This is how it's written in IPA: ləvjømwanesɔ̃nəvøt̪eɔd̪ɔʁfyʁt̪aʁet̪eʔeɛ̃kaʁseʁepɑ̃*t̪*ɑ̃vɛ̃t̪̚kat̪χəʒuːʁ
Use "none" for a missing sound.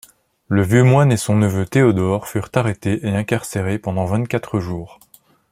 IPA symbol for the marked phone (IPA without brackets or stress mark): d̪